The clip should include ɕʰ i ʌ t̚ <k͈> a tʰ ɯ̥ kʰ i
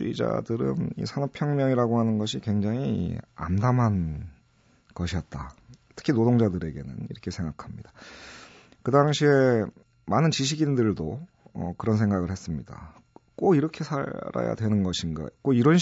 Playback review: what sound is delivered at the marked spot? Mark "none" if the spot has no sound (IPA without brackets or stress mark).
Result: t͈